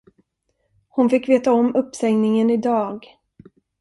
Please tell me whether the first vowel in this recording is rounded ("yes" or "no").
yes